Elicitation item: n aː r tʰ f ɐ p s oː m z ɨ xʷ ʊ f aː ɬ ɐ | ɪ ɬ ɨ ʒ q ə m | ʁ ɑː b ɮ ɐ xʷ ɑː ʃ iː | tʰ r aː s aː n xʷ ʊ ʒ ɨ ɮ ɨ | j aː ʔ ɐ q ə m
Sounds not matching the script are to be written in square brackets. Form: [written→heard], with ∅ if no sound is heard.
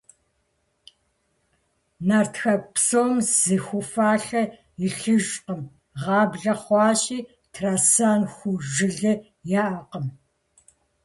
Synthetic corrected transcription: n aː r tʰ [f→x] ɐ p s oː m z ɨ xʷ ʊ f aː ɬ ɐ | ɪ ɬ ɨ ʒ q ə m | ʁ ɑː b ɮ ɐ [xʷ→χʷ] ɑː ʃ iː | tʰ r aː s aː n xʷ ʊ ʒ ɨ ɮ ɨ | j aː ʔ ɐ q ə m